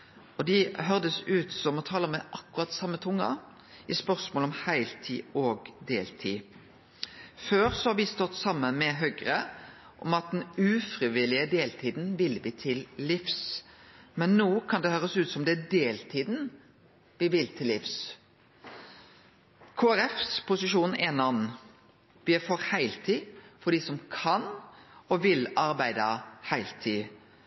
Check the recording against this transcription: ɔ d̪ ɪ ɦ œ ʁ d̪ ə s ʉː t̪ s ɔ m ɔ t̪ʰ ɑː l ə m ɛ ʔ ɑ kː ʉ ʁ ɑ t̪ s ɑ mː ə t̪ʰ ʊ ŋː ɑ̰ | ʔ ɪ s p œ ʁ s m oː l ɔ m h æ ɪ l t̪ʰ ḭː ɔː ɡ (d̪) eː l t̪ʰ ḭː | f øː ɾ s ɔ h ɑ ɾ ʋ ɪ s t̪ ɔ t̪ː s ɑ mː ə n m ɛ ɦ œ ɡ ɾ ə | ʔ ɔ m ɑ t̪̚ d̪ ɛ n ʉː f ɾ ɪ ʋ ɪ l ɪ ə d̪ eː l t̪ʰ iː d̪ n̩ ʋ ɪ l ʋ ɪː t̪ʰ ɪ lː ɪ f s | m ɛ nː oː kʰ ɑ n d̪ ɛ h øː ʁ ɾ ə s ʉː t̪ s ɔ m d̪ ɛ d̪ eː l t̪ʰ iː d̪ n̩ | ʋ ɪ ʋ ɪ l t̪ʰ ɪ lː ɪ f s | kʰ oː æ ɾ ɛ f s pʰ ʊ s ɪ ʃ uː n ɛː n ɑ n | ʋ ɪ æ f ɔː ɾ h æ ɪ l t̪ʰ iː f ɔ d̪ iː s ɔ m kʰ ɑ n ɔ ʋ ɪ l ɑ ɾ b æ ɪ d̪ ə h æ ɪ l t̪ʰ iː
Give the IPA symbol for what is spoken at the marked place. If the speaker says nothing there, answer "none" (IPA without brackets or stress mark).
d̪